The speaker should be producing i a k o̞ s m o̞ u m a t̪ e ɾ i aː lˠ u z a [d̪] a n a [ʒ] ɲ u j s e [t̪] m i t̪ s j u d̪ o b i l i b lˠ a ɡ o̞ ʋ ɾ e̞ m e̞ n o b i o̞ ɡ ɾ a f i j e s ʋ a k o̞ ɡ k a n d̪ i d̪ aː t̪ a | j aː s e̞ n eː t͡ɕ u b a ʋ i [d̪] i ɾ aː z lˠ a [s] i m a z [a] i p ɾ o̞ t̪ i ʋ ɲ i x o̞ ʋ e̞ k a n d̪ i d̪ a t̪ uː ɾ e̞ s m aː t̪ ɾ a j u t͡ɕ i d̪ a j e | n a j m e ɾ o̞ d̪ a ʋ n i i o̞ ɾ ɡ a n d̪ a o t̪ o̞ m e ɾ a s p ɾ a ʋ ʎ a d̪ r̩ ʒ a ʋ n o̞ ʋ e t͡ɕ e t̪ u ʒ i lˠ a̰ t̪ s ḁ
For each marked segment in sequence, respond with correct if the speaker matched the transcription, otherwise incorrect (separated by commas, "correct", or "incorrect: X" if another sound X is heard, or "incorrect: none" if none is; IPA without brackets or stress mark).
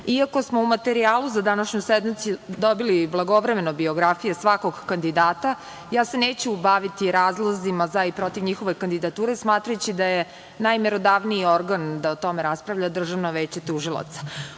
correct, incorrect: ʃ, incorrect: d̪, incorrect: t̪, incorrect: z, correct